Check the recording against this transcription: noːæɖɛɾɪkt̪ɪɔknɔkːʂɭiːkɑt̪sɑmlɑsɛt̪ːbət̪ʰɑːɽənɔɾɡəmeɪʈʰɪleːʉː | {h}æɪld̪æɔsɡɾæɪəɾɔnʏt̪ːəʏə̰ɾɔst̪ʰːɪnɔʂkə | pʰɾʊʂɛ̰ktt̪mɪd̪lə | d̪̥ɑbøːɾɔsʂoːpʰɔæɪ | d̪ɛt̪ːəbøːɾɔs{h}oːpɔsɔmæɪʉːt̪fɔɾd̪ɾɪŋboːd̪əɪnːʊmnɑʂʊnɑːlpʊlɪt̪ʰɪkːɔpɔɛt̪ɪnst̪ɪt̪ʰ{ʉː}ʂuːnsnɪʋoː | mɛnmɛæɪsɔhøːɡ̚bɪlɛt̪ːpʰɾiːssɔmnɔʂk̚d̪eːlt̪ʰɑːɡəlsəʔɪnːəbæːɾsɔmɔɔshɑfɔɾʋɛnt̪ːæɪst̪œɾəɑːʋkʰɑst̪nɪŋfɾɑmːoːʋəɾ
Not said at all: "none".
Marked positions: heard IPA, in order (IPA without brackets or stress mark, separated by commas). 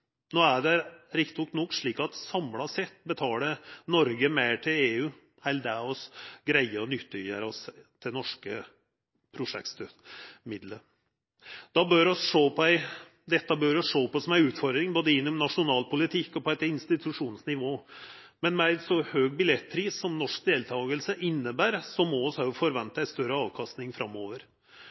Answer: h, ʂ, ʉ